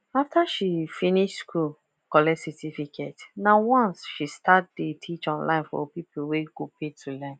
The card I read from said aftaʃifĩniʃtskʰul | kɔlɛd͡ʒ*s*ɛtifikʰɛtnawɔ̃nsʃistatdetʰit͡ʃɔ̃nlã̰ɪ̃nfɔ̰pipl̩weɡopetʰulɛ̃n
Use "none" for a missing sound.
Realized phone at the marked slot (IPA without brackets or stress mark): s